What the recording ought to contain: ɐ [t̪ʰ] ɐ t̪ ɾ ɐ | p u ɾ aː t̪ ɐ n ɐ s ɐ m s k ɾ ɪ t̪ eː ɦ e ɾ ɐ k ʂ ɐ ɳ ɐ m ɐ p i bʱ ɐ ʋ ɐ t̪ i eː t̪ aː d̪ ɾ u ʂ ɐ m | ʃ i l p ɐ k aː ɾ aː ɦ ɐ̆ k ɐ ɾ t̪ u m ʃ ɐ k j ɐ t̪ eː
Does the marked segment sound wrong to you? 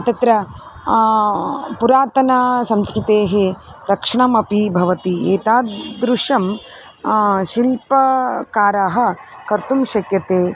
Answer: yes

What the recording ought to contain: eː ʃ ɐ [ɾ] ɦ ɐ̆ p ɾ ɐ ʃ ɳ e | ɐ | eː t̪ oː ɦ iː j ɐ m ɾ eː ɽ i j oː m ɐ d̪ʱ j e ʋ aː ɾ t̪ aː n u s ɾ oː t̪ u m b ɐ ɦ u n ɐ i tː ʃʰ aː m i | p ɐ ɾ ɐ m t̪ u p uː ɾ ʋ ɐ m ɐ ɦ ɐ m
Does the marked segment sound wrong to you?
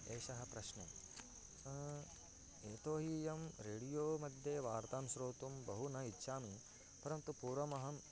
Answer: yes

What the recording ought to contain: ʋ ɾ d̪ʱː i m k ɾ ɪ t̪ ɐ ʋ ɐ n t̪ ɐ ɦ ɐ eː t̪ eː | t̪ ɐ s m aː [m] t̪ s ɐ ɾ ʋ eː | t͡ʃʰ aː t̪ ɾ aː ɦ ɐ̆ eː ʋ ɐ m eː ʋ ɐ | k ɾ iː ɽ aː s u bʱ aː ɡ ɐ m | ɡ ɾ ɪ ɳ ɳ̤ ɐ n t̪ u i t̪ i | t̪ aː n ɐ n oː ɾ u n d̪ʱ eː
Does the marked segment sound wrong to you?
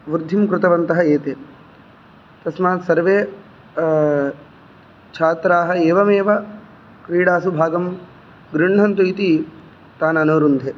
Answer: yes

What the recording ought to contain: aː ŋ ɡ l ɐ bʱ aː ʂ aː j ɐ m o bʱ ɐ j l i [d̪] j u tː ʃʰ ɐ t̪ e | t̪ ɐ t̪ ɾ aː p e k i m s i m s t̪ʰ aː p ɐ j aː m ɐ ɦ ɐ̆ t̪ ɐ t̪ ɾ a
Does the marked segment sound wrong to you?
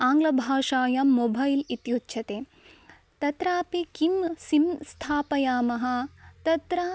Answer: yes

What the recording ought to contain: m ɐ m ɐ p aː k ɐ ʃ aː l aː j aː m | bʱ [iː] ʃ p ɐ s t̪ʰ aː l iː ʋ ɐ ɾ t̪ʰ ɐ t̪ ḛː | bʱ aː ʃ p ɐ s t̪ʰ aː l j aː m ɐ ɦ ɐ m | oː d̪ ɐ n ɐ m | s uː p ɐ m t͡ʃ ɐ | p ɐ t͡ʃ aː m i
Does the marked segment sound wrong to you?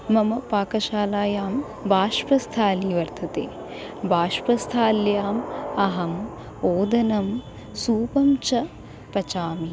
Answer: yes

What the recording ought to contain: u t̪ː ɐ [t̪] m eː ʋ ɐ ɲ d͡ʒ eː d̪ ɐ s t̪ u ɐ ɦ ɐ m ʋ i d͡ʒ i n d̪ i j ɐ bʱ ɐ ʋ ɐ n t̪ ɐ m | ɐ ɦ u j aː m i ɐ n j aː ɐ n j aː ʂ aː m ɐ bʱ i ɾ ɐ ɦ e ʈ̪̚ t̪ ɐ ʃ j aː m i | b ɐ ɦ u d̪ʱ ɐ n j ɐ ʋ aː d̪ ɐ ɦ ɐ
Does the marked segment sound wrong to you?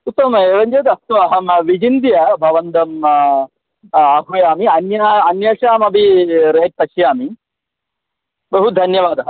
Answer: yes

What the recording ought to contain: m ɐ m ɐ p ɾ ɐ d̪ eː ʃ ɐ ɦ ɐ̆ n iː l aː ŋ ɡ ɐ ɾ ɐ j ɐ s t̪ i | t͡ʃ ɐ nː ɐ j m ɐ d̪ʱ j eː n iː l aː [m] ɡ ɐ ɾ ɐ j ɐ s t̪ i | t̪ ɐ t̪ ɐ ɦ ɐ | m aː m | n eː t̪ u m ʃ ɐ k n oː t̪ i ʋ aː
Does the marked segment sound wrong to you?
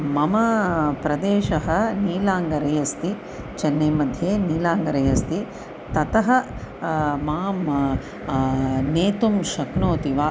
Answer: yes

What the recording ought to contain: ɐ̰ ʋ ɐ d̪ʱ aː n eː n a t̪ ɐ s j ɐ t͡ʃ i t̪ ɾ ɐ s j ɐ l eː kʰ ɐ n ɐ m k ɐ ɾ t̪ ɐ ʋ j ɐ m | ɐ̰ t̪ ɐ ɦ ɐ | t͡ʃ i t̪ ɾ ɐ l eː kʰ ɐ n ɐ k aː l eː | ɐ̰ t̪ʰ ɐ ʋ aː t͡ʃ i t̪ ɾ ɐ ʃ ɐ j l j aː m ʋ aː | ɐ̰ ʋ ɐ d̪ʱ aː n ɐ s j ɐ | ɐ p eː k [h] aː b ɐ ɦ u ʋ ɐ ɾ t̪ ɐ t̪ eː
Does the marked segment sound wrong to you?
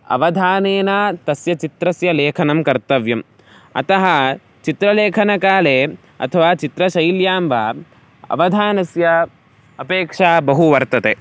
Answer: yes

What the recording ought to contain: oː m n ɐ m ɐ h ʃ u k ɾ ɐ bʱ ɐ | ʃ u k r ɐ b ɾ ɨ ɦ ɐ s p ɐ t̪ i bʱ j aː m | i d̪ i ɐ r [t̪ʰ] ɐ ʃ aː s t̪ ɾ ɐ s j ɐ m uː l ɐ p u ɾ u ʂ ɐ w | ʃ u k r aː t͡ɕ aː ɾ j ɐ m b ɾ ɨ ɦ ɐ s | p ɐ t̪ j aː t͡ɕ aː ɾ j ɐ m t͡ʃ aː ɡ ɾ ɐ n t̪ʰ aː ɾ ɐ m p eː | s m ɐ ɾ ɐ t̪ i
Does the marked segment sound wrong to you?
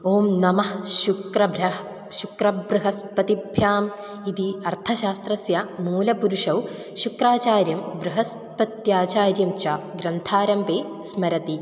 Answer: no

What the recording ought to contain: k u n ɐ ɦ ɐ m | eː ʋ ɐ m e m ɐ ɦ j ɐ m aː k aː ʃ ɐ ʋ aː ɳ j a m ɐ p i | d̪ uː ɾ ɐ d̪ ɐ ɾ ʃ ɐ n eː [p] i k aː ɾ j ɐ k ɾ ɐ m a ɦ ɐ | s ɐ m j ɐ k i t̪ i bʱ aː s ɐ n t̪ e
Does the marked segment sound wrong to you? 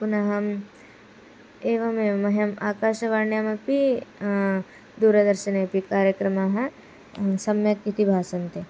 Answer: no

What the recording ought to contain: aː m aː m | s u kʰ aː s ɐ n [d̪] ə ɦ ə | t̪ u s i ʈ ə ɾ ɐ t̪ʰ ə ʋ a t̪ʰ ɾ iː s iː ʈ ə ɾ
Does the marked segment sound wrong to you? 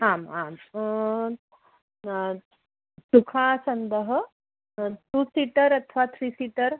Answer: no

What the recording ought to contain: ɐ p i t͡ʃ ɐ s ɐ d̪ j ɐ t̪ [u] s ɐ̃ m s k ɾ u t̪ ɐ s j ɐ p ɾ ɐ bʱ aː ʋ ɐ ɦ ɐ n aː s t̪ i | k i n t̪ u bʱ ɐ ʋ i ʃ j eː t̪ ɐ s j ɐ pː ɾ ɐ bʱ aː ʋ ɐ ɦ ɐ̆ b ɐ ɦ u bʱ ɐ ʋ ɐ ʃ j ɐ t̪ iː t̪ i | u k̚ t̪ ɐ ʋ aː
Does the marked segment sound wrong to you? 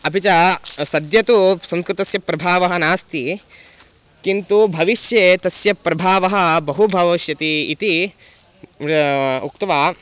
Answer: no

